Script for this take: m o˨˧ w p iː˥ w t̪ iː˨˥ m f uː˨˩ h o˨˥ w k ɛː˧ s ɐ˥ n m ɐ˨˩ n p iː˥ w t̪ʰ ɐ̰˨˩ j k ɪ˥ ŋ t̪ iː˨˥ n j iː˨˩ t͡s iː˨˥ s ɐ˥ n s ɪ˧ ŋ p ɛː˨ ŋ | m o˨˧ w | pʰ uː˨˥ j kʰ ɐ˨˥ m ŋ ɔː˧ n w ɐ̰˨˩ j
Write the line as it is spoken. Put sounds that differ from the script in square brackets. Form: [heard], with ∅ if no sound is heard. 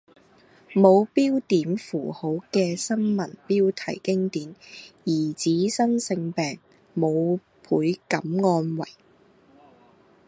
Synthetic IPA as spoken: m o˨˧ w p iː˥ w t̪ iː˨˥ m f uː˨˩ h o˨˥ w k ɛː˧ s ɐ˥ n m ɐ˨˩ n p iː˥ w t̪ʰ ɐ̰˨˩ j k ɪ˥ ŋ t̪ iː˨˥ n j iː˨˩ t͡s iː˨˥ s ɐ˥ n s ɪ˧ ŋ p ɛː˨ ŋ | m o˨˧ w | pʰ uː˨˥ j [k] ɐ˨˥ m ŋ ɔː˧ n w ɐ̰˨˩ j